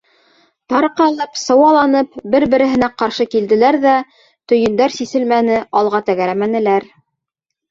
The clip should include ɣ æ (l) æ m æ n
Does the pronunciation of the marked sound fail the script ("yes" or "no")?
yes